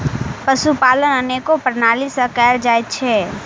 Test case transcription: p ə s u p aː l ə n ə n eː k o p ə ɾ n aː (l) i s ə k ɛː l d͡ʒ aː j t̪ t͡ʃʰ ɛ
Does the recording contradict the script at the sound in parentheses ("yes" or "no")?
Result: no